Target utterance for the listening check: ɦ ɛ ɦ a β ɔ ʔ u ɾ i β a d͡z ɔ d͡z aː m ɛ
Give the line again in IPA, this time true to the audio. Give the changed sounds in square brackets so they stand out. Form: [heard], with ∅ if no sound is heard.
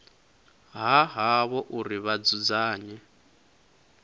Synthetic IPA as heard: ɦ [a] ɦ a β ɔ ʔ u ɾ i β a d͡z [u] d͡z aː [ɲ] ɛ